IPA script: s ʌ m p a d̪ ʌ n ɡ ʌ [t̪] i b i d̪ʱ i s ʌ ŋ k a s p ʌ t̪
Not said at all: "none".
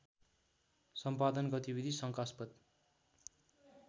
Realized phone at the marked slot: t̪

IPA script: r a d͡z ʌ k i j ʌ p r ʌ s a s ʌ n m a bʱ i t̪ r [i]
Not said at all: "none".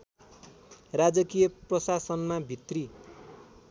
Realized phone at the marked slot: i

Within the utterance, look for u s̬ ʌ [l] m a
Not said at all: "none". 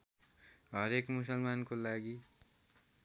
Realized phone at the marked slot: l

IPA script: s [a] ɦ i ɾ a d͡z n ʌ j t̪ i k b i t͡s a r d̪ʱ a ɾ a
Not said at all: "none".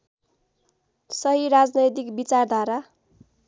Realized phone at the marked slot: ʌ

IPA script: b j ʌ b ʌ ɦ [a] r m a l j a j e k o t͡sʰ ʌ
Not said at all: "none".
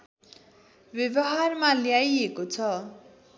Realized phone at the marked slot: a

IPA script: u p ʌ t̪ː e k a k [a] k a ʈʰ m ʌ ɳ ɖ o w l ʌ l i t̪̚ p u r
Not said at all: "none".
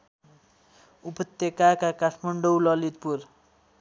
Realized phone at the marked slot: a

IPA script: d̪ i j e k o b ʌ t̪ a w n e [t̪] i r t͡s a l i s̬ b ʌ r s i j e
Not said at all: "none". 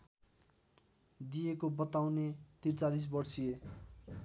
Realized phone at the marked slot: t̪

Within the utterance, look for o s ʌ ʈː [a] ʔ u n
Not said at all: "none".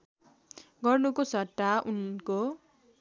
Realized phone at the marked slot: a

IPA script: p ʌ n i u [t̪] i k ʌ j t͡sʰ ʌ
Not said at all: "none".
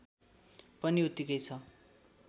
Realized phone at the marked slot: t̪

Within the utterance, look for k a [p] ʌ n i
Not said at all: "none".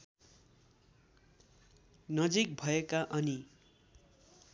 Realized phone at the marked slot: ʔ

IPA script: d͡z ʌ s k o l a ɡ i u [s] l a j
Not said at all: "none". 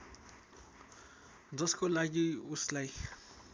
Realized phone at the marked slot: s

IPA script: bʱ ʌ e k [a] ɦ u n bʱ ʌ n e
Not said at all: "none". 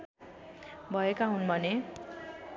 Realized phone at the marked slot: a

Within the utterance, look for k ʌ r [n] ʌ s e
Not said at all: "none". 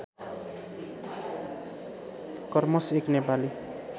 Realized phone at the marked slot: m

